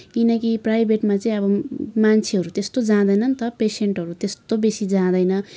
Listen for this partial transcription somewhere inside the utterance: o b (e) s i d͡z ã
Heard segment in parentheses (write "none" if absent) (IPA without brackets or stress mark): e